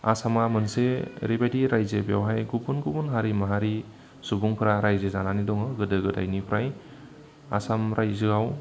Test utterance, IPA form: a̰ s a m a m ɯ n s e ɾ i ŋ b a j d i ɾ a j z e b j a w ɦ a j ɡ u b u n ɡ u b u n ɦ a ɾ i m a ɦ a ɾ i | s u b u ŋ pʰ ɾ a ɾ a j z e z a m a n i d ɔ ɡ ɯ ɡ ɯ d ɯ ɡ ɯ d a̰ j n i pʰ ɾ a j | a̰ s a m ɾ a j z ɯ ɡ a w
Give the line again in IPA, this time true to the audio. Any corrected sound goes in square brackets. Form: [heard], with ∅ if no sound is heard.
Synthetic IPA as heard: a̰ s a m a m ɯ n s e ɾ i [∅] b a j d i ɾ a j z e b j a w ɦ a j ɡ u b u n ɡ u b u n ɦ a ɾ i m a ɦ a ɾ i | s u b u ŋ pʰ ɾ a ɾ a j z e z a [n] a n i d ɔ [ŋ] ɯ ɡ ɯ d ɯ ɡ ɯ d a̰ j n i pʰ ɾ a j | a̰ s a m ɾ a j z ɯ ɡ a w